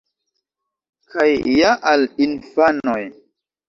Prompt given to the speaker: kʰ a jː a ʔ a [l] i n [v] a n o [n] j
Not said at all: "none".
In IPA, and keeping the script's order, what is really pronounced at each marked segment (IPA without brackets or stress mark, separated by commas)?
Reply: l, f, none